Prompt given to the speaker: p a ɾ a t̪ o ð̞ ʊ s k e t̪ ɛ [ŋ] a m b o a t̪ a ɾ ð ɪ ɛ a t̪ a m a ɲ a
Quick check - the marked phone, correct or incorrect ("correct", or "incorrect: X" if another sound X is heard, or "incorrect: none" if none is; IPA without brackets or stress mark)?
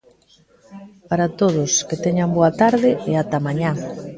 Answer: incorrect: ɲ